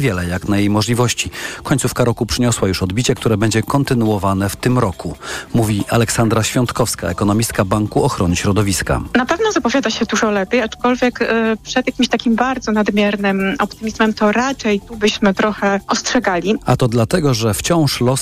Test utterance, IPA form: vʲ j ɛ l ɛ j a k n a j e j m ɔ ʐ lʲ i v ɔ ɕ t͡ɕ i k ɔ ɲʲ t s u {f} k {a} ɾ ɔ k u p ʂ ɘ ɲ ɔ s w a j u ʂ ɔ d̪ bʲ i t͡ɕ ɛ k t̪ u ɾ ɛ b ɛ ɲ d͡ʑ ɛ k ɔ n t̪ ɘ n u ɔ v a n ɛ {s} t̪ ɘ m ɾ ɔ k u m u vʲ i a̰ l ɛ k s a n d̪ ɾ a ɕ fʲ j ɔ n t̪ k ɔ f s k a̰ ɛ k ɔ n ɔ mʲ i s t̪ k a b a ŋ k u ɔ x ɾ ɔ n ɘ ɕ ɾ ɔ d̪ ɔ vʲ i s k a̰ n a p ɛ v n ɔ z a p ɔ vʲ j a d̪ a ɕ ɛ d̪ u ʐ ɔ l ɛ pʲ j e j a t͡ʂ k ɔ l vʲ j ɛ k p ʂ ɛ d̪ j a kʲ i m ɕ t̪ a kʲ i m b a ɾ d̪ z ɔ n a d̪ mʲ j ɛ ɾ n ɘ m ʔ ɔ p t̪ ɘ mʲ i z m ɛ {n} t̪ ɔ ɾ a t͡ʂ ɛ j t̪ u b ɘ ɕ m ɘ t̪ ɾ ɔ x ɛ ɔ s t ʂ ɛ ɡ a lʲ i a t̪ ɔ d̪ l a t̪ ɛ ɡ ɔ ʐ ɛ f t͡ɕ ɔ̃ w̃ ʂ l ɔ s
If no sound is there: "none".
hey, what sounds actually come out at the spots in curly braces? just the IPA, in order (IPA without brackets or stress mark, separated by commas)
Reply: f, a, f, m